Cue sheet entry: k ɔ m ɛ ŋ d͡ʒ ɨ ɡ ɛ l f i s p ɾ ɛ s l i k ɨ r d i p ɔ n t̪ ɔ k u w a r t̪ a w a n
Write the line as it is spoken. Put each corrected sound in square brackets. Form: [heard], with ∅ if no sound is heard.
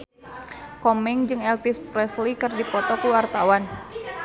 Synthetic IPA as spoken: k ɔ m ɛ ŋ d͡ʒ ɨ [ŋ] ɛ l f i s p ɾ ɛ s l i k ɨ r d i p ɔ [∅] t̪ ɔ k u w a r t̪ a w a n